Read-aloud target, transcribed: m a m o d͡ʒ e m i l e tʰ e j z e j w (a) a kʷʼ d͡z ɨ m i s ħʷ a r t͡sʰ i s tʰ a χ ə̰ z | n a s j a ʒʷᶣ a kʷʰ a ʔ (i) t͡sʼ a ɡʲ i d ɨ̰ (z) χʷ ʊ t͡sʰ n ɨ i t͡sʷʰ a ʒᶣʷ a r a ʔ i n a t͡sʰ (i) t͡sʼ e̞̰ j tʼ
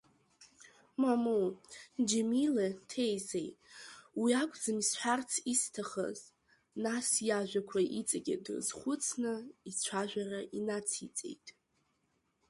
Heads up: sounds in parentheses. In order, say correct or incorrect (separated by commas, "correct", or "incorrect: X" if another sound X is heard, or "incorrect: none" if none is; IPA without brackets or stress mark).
incorrect: i, correct, correct, correct